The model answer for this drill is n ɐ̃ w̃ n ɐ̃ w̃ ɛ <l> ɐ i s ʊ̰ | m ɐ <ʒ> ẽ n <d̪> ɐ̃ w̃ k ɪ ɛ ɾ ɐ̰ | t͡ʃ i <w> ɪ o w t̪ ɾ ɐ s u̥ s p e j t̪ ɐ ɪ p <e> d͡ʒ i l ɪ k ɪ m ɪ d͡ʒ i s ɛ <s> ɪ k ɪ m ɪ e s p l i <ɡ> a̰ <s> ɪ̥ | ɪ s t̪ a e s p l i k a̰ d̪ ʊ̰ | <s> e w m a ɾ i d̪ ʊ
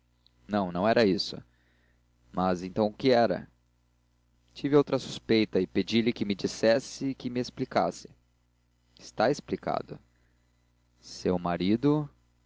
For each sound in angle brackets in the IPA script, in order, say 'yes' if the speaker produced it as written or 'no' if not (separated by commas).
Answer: no, no, no, no, yes, yes, no, yes, yes